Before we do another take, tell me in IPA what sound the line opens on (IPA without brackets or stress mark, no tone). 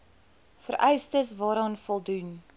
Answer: f